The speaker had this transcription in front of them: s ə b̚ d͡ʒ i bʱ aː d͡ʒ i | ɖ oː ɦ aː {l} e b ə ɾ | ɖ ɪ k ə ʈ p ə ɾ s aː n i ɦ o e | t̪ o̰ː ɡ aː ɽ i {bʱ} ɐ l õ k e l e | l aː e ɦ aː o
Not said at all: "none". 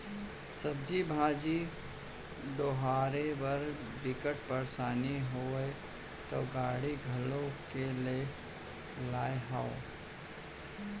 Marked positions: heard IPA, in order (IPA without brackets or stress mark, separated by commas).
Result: ɾ, ɡʱ